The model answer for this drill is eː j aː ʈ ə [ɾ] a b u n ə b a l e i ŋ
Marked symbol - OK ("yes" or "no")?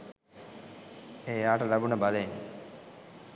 no